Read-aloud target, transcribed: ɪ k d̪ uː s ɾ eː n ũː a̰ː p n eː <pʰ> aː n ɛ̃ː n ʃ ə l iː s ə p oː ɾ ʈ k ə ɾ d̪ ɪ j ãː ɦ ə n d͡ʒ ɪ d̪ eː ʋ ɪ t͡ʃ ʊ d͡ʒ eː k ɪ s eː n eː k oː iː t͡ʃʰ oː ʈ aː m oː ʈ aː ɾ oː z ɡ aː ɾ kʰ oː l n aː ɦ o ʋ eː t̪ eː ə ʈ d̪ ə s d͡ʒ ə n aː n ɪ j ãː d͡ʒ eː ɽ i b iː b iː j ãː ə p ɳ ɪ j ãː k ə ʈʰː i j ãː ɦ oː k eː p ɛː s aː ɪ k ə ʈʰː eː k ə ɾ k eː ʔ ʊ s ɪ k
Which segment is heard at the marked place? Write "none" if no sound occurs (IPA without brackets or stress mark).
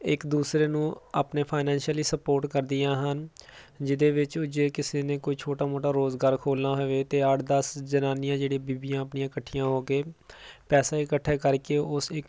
pʰ